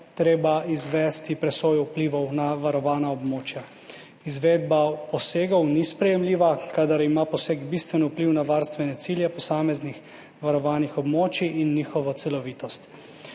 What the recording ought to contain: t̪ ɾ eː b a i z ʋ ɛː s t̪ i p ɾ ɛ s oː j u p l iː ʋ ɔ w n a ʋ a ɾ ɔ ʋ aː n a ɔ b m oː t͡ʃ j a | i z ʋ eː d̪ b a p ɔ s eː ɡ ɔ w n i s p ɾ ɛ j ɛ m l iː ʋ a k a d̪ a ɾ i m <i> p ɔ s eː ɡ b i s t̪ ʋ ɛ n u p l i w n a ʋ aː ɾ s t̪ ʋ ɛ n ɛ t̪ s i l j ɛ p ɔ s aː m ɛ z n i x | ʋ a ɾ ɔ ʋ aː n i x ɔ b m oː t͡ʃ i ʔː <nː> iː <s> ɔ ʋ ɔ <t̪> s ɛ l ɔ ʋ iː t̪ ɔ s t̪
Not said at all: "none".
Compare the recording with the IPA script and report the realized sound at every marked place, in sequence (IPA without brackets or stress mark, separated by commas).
a, nː, x, t̪